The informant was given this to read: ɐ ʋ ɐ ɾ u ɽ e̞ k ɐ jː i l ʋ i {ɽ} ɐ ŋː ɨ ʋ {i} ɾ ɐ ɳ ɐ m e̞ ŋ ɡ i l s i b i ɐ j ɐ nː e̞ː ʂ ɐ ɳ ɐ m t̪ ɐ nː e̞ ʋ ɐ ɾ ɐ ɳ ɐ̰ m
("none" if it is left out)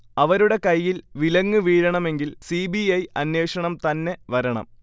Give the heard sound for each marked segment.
l, iː

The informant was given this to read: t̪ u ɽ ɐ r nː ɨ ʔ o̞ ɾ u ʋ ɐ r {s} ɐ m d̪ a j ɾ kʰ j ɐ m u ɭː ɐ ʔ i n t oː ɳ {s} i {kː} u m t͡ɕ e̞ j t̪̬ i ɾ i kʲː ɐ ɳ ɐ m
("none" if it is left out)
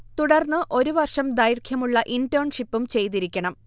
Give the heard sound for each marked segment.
ʂ, ʂ, pː

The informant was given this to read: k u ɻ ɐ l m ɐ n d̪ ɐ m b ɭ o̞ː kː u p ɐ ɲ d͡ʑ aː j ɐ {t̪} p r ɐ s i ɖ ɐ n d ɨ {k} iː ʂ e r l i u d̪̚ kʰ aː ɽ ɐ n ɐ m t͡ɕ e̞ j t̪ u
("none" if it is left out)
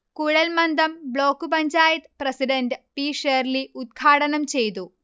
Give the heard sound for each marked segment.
t̪, p

